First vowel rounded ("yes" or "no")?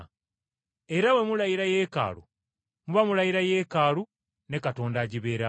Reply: no